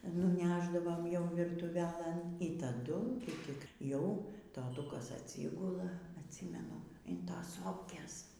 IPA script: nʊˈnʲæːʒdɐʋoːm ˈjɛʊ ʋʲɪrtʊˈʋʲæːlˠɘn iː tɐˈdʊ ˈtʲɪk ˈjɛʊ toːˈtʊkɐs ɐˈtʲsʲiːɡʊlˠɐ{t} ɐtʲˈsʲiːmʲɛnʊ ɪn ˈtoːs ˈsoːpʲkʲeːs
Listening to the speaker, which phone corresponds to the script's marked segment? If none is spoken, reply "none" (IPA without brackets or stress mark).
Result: none